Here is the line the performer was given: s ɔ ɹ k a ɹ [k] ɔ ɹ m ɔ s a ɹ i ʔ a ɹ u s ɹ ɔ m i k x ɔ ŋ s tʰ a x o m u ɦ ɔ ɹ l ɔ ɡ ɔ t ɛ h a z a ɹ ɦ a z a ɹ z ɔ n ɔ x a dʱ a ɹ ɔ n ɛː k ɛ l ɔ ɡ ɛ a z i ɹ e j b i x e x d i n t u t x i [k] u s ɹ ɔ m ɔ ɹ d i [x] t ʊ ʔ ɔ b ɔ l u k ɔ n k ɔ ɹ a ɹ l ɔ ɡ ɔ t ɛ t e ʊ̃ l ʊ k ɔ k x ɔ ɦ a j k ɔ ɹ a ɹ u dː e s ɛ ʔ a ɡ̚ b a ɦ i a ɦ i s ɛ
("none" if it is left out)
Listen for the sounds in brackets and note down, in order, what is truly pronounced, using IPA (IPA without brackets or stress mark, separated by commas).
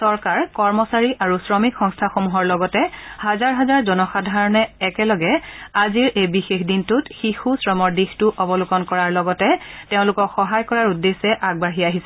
k, x, x